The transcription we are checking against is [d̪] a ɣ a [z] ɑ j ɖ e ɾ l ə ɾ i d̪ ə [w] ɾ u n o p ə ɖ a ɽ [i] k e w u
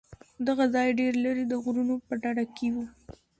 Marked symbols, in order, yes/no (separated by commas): yes, yes, no, no